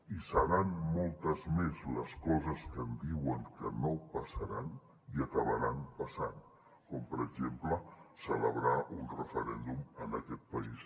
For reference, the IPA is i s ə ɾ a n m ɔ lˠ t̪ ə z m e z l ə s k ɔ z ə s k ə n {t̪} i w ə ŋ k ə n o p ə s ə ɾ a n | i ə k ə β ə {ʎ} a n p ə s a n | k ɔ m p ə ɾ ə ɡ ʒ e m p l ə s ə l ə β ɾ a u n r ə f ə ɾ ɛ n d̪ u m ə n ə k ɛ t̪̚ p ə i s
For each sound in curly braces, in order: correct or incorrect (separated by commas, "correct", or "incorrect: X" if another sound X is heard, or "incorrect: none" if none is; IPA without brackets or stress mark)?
incorrect: d̪, incorrect: ɾ